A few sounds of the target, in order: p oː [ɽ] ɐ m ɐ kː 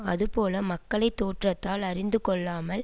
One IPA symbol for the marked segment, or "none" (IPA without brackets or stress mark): l